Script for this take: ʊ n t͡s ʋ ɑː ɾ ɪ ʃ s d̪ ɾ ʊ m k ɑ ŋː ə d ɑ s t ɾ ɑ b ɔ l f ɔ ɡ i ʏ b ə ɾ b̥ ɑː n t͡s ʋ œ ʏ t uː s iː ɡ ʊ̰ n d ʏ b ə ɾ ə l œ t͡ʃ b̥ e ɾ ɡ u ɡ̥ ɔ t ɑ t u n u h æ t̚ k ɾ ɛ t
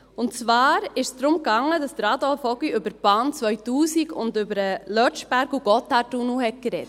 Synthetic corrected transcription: ʊ n t͡s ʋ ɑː ɾ ɪ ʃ s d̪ ɾ ʊ m k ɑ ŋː ə d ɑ s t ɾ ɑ d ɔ l f ɔ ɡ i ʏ b ə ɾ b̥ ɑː n t͡s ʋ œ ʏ t uː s i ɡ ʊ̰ n d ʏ b ə ɾ ə l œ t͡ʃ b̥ æ ɾ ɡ u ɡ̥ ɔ t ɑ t u n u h ɛ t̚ k ɾ ɛ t

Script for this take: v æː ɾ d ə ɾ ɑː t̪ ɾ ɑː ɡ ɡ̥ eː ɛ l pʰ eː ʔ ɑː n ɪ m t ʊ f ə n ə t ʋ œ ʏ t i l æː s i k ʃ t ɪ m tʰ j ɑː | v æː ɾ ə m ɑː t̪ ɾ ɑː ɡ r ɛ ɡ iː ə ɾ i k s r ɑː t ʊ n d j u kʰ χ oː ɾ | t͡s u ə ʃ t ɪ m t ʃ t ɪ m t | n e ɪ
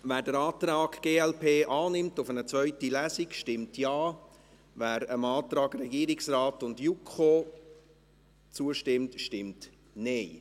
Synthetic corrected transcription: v æː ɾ d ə ɾ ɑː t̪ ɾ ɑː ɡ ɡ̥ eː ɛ l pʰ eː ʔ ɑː n ɪ m t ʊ f ə n ə t͡s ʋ œ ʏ t i l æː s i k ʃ t ɪ m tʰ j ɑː | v æː ɾ ə m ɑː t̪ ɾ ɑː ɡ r ɛ ɡ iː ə ɾ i k s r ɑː t ʊ n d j u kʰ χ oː | t͡s u ə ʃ t ɪ m t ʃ t ɪ m t | n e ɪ

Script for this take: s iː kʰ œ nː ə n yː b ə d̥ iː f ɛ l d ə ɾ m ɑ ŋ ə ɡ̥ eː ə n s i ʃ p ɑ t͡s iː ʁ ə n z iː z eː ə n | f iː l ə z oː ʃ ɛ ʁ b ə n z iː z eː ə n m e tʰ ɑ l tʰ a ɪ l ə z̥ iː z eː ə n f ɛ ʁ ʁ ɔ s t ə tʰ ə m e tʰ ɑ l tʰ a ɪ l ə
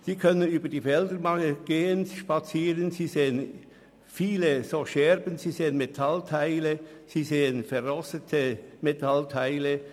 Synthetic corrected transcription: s iː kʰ œ n ə n yː b ə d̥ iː f ɛ l d ə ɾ m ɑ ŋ ə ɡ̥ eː ə n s i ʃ p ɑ t͡s iː ʁ ə n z iː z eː ə n | f iː l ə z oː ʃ ɛ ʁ b ə n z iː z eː ə n m e tʰ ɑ l tʰ a ɪ l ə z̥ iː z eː ə n f ɛ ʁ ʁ ɔ s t ə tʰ ə m e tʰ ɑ l tʰ a ɪ l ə

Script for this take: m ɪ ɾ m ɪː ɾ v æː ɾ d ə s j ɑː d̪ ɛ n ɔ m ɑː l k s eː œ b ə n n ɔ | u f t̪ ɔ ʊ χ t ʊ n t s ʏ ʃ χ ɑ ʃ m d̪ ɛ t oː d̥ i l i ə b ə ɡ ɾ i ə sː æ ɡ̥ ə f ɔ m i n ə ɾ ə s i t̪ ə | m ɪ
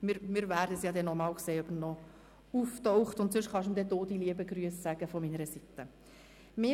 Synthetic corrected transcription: m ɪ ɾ m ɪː ɾ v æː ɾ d ə s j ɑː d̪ ɛ n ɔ m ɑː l k s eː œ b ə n n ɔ | u f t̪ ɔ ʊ χ t ʊ n t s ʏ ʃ χ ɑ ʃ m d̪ ɛ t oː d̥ i l i ə b ə ɡ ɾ y ə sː æ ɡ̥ ə f ɔ m i n ə ɾ ə s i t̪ ə | m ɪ

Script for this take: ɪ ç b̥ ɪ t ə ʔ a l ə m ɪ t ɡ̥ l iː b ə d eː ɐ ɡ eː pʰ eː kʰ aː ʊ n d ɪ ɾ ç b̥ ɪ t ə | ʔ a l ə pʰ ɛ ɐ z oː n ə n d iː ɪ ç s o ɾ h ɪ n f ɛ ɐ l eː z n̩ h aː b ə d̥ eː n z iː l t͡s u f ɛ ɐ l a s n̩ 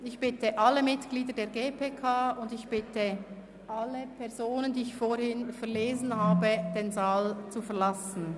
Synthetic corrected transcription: ɪ ç b̥ ɪ t ə ʔ a l ə m ɪ t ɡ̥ l iː d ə d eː ɐ ɡ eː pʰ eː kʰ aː ʊ n d ɪ ç b̥ ɪ t ə | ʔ a l ə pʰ ɛ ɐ z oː n ə n d iː ɪ ç f o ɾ h ɪ n f ɛ ɐ l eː z n̩ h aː b ə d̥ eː n z aː l t͡s u f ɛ ɐ l a s n̩

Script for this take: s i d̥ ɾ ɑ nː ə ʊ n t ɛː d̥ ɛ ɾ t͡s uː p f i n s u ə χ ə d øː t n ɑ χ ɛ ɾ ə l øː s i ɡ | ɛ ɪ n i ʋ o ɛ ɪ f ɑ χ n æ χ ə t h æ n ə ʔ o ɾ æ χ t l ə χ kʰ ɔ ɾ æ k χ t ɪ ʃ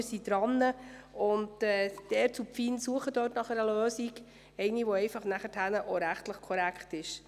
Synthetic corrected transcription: s i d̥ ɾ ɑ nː ə ʊ n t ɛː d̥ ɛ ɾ t͡s u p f i n s u ə χ ə d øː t n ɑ χ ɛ ɾ ə l øː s i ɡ | ɛ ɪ n i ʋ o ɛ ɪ f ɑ χ n æ χ ə t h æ n ə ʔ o ɾ æ χ t l ə χ kʰ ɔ ɾ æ k χ t ɪ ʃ

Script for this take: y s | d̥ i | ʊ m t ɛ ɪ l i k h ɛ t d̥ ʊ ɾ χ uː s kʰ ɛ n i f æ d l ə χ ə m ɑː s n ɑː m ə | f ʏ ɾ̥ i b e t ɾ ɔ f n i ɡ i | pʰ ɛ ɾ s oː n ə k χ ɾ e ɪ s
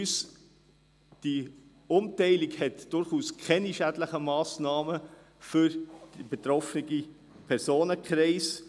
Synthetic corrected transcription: y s | d̥ i | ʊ m t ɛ ɪ l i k h ɛ t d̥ ʊ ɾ χ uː s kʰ ɛ n i ʃ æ d l ə χ ə m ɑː s n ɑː m ə | f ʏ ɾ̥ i b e t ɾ ɔ f n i ɡ i | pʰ ɛ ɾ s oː n ə k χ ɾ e ɪ s

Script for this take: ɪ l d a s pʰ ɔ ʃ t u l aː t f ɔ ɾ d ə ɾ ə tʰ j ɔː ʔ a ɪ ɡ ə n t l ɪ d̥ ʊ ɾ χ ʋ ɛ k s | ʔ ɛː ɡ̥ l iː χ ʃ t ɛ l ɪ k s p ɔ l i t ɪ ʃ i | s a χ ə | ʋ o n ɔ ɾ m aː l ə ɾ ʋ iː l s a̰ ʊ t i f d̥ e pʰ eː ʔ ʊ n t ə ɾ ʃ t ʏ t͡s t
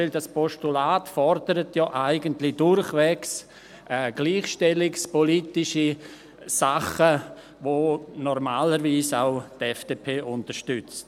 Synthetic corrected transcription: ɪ l d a s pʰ ɔ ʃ t u l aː t f ɔ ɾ d ə ɾ ə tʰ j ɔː ʔ a ɪ ɡ ə n t l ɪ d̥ ʊ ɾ χ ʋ ɛ k s | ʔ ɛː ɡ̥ l iː χ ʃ t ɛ l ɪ k s p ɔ l i t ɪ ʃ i | s a χ ə | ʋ o n ɔ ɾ m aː l ə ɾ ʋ iː s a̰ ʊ t ɛ f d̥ e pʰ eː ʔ ʊ n t ə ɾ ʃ t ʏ t͡s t

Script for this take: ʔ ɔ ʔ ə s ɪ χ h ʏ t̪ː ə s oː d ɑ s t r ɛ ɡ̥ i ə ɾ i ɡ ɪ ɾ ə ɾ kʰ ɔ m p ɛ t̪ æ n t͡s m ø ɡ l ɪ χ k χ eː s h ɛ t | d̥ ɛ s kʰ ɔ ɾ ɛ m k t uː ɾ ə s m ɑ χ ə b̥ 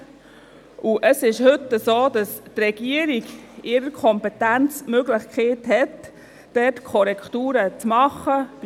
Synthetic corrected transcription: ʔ u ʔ ə s ɪ ʃ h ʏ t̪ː ə s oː d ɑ s t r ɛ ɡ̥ i ə ɾ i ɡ ɪ ɾ ə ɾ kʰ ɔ m p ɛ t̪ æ n t͡s m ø ɡ l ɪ χ k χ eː t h ɛ t | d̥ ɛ t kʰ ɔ ɾ ɛ k t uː ɾ ə t͡s m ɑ χ ə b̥

